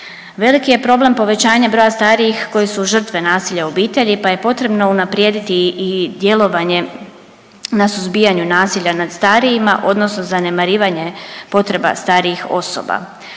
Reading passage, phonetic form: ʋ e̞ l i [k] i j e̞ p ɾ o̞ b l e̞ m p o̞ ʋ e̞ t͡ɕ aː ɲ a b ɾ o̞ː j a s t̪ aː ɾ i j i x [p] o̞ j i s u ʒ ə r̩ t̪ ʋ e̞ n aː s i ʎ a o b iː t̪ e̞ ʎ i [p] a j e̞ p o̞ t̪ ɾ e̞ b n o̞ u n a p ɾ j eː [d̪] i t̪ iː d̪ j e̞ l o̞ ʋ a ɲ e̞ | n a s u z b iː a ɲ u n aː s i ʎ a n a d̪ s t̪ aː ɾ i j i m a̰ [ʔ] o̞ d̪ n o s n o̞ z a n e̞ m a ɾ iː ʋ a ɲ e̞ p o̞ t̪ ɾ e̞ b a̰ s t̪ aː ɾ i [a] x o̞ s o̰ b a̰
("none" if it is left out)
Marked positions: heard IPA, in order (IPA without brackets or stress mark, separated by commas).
k, k, p, d̪, ʔ, i